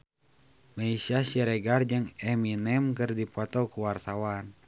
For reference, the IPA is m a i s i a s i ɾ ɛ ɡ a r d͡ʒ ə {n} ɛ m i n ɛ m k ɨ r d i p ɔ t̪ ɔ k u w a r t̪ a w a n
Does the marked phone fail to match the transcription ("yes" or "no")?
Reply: yes